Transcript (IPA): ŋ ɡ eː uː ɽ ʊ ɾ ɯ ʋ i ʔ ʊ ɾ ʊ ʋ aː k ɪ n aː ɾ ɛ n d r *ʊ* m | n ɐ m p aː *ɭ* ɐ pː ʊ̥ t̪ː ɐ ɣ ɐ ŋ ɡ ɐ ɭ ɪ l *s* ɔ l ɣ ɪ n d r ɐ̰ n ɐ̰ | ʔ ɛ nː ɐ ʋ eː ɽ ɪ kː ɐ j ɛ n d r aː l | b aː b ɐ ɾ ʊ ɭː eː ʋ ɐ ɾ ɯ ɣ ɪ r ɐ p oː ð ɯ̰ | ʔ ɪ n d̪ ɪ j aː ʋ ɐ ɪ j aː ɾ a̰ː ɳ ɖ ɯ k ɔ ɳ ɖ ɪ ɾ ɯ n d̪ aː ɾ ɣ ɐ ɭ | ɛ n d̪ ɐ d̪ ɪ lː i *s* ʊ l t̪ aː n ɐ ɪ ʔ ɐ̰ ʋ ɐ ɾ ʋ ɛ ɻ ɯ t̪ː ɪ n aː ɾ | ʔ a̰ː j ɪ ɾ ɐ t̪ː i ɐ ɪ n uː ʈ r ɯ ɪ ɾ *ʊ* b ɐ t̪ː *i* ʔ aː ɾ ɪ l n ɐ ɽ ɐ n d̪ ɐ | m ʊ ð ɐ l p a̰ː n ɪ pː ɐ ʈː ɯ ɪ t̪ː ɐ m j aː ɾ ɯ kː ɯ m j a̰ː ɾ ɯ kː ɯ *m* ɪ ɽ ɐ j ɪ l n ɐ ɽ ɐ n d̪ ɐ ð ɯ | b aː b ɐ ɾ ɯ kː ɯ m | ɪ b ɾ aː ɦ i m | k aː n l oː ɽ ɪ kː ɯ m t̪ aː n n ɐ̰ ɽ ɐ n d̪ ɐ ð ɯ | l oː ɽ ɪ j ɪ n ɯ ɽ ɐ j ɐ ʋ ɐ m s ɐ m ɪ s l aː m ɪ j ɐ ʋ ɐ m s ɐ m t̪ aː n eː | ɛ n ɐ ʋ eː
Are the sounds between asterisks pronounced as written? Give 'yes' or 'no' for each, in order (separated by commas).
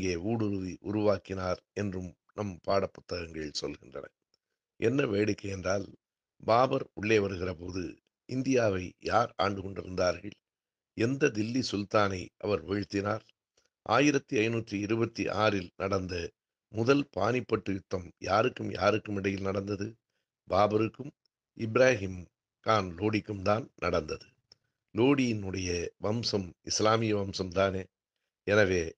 no, no, yes, yes, no, yes, yes